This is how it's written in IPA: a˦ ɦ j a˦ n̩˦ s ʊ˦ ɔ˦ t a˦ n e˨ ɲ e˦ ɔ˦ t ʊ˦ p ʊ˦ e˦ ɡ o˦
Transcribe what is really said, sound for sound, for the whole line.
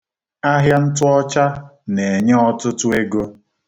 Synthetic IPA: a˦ ɦ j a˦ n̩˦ t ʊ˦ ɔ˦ t͡ʃ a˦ n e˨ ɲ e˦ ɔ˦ t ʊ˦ t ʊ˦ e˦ ɡ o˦